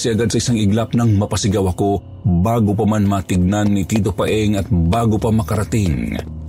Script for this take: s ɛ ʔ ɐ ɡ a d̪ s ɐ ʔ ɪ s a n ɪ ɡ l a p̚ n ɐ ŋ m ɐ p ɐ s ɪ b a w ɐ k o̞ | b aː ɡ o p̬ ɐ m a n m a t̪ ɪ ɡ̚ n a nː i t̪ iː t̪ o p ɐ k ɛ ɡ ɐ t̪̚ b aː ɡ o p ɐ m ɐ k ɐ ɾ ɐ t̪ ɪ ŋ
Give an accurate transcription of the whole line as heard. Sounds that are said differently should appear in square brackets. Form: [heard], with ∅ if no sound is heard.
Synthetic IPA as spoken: s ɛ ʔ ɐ ɡ a d̪ s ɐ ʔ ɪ s a [ŋ] ɪ ɡ l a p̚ n ɐ ŋ m ɐ p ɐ s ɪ [ɡ] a w ɐ k o̞ | b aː ɡ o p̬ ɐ m a n m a t̪ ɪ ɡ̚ n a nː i t̪ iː t̪ o p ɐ [ʔ] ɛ [ŋ] ɐ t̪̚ b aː ɡ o p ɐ m ɐ k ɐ ɾ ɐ t̪ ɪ ŋ